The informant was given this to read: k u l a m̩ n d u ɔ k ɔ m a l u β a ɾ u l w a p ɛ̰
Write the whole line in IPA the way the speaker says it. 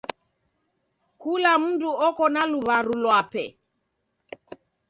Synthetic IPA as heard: k u l a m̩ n d u ɔ k ɔ n a l u β a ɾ u l w a p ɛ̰

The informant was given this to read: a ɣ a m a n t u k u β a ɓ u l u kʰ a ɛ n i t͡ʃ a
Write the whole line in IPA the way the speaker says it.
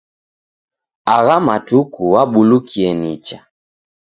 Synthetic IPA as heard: a ɣ a m a t u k u w a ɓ u l u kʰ i ɛ n i t͡ʃ a

